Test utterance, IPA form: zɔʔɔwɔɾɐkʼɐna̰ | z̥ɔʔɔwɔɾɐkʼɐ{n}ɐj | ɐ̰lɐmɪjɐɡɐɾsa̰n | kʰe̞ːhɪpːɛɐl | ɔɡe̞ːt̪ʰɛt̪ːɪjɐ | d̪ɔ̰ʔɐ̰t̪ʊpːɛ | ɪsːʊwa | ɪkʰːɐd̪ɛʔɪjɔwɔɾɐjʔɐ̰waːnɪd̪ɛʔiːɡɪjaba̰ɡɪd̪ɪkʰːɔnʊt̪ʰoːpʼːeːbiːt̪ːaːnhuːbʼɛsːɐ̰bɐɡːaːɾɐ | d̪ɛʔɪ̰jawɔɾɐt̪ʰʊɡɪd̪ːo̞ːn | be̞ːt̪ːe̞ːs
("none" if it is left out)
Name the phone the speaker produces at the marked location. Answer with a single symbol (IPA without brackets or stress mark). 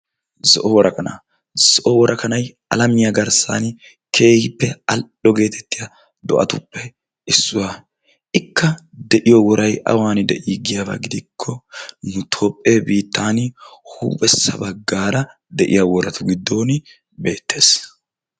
n